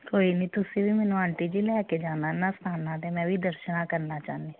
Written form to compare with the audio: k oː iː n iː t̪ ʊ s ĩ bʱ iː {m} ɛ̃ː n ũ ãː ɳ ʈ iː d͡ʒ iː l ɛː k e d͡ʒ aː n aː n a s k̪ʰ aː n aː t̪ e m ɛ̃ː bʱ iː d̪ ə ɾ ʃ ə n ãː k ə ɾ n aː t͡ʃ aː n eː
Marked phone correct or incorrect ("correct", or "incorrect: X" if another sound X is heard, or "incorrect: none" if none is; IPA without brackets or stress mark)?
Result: correct